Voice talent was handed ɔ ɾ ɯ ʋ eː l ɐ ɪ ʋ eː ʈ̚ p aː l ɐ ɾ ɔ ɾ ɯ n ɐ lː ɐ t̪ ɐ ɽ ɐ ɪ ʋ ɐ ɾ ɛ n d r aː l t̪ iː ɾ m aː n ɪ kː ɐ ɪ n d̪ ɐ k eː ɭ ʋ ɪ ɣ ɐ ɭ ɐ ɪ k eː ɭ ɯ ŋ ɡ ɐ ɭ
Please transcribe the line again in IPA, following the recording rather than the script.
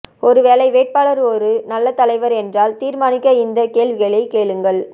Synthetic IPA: ɔ ɾ ɯ ʋ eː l ɐ ɪ ʋ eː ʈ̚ p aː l ɐ ɾ ɔ ɾ ɯ n ɐ lː ɐ t̪ ɐ l ɐ ɪ ʋ ɐ ɾ ɛ n d r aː l t̪ iː ɾ m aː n ɪ kː ɐ ɪ n d̪ ɐ k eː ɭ ʋ ɪ ɣ ɐ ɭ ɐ ɪ k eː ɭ ɯ ŋ ɡ ɐ ɭ